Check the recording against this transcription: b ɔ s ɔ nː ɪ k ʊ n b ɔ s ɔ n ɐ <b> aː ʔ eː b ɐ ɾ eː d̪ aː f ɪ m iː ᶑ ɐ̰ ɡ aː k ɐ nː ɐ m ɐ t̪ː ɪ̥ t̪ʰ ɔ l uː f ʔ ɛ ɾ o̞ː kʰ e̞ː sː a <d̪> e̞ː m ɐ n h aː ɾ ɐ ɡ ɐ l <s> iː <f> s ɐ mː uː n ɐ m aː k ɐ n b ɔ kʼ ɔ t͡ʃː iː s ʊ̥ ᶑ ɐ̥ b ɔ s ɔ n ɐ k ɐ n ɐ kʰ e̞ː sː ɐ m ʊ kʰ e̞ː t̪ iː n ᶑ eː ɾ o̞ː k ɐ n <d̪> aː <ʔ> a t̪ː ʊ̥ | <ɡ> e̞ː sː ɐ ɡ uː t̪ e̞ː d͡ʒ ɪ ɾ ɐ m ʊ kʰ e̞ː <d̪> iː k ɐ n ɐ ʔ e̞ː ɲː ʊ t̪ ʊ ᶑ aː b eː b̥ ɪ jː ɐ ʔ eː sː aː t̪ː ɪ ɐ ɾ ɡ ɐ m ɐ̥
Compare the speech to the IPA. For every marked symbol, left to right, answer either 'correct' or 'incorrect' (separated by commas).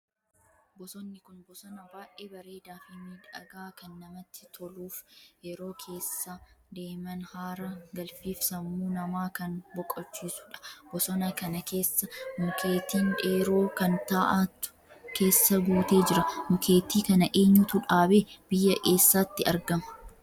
correct, correct, incorrect, correct, incorrect, correct, incorrect, incorrect